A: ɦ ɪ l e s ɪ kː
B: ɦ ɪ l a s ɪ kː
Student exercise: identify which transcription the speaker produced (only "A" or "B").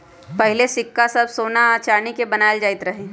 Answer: A